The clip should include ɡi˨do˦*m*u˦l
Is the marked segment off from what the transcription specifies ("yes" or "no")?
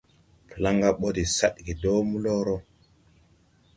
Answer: no